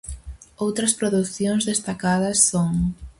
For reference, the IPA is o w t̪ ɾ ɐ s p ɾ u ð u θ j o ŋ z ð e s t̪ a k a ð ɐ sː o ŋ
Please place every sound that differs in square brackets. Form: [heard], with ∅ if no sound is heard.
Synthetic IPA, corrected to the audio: o w t̪ ɾ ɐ s p ɾ [o] ð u θ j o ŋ z ð e s t̪ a k a ð ɐ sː o ŋ